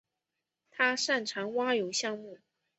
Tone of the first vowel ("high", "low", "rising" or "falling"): high